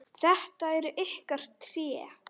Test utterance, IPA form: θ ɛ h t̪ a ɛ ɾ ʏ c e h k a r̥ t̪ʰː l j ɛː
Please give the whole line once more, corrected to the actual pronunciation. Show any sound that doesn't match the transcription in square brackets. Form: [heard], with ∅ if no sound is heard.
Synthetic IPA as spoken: θ ɛ h t̪ a ɛ ɾ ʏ [ʔ] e h k a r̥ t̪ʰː [ɾ] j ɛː